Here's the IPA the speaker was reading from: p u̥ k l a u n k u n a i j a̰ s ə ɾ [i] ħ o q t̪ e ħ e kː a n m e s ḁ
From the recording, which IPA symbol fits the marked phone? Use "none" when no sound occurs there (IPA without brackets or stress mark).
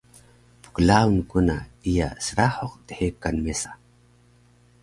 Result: a